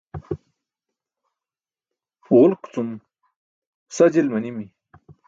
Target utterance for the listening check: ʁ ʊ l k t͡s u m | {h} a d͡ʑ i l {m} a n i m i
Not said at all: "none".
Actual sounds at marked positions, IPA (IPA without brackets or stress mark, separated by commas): s, m